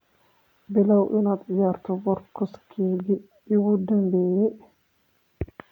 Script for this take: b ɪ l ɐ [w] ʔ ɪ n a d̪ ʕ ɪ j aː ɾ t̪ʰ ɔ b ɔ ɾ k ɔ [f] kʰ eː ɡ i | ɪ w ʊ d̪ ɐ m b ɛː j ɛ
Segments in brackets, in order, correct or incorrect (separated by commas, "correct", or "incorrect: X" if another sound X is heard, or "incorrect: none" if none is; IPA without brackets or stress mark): correct, incorrect: s